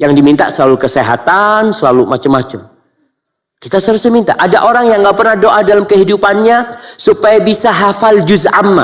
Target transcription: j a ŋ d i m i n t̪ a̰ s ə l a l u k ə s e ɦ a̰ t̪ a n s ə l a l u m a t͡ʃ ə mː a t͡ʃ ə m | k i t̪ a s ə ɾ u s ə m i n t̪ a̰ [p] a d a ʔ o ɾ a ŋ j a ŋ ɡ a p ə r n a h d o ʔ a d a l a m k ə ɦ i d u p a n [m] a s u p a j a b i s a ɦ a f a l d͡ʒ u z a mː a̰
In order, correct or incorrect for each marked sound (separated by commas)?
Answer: incorrect, incorrect